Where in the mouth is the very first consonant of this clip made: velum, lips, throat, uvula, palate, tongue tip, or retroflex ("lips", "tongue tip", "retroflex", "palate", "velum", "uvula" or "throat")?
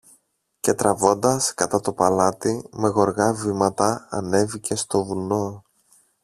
palate